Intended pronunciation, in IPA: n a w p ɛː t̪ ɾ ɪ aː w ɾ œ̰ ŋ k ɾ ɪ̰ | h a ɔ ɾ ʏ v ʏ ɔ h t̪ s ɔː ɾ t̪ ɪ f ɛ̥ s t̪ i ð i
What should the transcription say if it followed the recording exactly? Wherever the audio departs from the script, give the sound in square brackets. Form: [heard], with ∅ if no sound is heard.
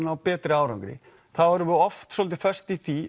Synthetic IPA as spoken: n a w p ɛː t̪ ɾ ɪ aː w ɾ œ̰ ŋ k ɾ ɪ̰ | [θ] a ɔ ɾ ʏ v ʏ ɔ [f] t̪ s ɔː [l] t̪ ɪ f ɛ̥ s t̪ i [θ] i